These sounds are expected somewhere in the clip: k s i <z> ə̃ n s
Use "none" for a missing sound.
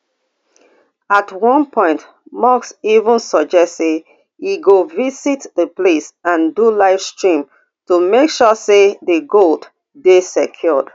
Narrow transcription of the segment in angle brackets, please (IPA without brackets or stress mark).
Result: v